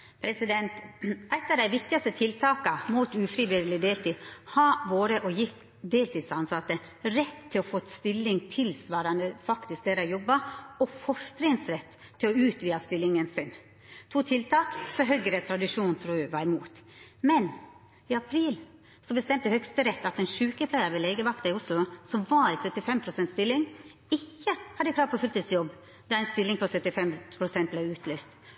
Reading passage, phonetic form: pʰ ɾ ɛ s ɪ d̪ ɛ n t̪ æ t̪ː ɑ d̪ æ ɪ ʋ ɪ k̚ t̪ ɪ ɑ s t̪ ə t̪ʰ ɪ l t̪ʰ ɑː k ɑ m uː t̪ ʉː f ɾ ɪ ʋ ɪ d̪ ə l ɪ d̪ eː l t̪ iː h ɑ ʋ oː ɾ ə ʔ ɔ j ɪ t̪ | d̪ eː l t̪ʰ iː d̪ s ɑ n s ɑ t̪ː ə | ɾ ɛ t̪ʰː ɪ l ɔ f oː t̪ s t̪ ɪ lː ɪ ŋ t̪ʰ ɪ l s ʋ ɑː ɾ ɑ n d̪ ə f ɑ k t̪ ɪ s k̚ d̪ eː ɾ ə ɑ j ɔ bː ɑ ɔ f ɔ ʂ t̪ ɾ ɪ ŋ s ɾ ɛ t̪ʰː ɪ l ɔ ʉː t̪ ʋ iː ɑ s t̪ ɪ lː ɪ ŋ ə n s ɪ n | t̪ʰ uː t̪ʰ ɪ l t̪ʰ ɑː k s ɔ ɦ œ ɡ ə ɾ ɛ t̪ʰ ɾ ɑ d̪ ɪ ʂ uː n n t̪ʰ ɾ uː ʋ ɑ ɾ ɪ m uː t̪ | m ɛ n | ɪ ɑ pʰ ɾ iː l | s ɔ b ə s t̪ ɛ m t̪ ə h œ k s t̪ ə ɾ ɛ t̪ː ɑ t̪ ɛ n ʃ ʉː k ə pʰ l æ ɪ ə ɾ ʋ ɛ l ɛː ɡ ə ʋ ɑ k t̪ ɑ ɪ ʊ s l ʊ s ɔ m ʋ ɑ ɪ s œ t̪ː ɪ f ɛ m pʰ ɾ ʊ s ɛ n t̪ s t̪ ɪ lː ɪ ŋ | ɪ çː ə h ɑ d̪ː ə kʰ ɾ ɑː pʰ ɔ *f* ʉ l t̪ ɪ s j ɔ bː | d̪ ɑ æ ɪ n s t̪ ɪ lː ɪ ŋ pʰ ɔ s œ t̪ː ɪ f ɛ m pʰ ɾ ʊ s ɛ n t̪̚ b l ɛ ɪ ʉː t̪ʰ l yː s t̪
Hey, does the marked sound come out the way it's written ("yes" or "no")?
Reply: yes